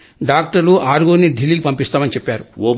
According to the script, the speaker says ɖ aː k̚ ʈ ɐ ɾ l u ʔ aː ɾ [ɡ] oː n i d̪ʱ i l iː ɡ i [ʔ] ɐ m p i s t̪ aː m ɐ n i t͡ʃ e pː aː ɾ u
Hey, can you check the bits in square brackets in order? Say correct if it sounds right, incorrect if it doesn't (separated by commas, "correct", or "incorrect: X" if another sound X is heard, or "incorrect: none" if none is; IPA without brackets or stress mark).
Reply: correct, incorrect: p